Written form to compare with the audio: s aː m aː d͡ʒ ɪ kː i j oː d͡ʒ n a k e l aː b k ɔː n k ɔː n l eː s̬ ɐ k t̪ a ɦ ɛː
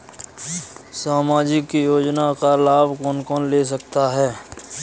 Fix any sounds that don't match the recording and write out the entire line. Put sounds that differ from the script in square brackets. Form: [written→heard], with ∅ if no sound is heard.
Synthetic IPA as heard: s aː m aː d͡ʒ ɪ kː i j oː d͡ʒ n a k [e→a] l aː b k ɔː n k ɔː n l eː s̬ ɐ k t̪ a ɦ ɛː